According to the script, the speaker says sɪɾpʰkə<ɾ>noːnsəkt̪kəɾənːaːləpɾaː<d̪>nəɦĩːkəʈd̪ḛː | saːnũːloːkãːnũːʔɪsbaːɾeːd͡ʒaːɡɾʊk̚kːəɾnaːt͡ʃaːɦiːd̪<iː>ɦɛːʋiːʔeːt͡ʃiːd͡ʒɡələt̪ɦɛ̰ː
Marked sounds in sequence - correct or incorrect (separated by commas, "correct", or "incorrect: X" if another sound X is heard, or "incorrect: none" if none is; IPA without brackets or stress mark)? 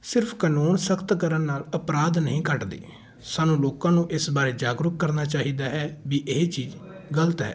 incorrect: none, correct, incorrect: aː